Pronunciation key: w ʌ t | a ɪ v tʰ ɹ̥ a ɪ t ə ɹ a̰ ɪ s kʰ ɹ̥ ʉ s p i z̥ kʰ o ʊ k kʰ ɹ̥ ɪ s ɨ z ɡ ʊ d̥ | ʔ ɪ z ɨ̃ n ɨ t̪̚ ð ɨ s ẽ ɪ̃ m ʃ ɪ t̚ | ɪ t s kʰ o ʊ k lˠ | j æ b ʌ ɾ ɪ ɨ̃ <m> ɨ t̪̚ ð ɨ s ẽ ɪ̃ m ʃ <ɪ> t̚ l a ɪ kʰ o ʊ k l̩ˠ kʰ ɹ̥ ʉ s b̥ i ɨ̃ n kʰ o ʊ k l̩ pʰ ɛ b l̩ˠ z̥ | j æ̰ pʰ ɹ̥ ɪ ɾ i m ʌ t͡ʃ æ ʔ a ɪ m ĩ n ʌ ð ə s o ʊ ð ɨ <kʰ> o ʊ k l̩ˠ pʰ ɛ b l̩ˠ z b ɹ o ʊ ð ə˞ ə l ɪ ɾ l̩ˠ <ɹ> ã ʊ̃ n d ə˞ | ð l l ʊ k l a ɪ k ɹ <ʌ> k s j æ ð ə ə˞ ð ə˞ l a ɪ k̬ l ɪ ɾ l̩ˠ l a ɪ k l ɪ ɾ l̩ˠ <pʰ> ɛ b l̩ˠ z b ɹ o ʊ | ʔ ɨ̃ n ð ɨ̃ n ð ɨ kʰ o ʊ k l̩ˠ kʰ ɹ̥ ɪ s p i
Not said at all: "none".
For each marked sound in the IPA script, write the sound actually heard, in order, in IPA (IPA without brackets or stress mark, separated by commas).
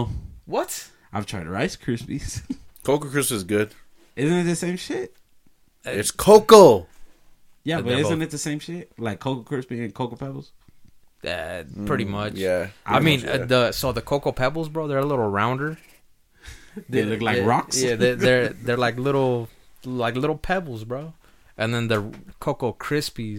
n, ɪ, kʰ, ɹ, ɑ, pʰ